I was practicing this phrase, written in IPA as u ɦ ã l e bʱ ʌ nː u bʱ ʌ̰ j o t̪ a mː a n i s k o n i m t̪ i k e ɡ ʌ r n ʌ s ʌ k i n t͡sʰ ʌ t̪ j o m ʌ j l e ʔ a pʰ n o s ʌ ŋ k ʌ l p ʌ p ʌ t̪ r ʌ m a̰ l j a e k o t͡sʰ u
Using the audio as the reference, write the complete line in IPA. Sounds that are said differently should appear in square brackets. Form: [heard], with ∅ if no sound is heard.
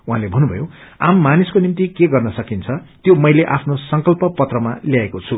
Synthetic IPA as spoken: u ɦ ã l e bʱ ʌ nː u bʱ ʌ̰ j o [∅] a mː a n i s k o n i m t̪ i k e ɡ ʌ r n ʌ s ʌ k i n t͡sʰ ʌ t̪ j o m ʌ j l e ʔ a pʰ n o s ʌ ŋ k ʌ l p ʌ p ʌ t̪ r ʌ m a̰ l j a e k o t͡sʰ u

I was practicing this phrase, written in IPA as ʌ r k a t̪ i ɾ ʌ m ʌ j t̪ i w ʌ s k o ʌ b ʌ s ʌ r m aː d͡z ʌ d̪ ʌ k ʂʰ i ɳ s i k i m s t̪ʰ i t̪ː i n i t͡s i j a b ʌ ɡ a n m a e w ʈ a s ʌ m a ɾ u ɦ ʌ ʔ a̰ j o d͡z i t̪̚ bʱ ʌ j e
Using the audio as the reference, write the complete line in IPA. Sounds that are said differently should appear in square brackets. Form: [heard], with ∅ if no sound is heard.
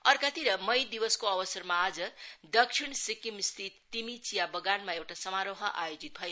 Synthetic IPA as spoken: ʌ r k a t̪ i ɾ ʌ m ʌ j [d̪] i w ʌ s k o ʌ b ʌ s ʌ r m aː d͡z ʌ d̪ ʌ k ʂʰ i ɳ s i k i m s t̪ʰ i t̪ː i [m] i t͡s i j a b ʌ ɡ a n m a e w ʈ a s ʌ m a ɾ [o] ɦ ʌ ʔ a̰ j o d͡z i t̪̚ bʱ ʌ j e

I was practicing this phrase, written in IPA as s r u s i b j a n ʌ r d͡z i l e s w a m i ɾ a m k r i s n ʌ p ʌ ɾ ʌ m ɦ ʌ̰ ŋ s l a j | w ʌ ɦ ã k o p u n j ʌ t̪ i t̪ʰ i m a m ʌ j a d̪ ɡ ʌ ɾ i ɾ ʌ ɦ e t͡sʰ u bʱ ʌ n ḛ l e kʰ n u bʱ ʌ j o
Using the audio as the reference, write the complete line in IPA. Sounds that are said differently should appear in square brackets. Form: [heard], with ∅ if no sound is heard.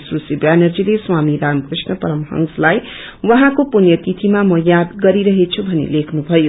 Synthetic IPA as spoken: s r u s i b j a n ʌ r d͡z i l e s w a m i ɾ a m k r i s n ʌ p ʌ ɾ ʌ m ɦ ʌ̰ ŋ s l a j | w ʌ ɦ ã k o p u n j ʌ t̪ i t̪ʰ i m a m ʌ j a d̪ ɡ ʌ ɾ i ɾ ʌ ɦ e t͡sʰ u bʱ ʌ n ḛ l e kʰ n u bʱ ʌ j o

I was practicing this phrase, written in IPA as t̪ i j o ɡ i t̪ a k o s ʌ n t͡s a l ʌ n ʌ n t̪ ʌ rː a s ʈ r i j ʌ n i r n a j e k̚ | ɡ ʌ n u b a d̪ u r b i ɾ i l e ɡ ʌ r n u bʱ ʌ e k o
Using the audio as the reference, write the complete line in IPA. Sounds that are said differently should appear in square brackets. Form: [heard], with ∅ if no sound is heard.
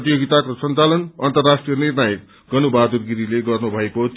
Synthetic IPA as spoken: t̪ i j o ɡ i t̪ a k o s ʌ n t͡s a l ʌ n ʌ n t̪ ʌ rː a s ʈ r i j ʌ n i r n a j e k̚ | ɡ ʌ n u b a d̪ u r [ɡ] i ɾ i l e ɡ ʌ r n u bʱ ʌ e k o

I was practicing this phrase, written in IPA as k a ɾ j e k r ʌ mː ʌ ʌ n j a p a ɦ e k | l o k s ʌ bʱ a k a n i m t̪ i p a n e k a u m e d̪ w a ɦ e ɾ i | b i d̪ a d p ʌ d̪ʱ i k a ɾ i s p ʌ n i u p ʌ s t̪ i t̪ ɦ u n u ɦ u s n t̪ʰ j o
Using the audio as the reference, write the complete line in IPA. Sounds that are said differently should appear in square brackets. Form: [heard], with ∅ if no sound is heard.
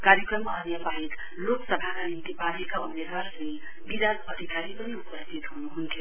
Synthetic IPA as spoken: k a ɾ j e k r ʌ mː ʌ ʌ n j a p a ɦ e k | l o k s ʌ bʱ a k a n i [n] t̪ i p a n e k a u m e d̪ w a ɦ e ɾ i | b i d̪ a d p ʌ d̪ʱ i k a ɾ i [∅] p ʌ n i u p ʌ s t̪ i t̪ ɦ u n u ɦ u [∅] n t̪ʰ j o

